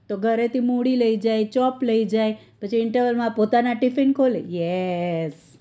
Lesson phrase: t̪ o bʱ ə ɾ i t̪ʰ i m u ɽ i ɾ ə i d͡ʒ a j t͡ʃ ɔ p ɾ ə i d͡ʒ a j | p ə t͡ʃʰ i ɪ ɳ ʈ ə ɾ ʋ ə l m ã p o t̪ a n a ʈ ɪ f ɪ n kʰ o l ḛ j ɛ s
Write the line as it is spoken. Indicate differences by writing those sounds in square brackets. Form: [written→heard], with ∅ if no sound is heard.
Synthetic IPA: t̪ o [bʱ→ɡʱ] ə ɾ [i→e] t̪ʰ i m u ɽ i [ɾ→l] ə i d͡ʒ a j t͡ʃ ɔ p [ɾ→l] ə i d͡ʒ a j | p ə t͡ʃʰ i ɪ ɳ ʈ ə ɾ ʋ ə l m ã p o t̪ a n a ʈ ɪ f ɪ n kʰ o l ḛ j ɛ s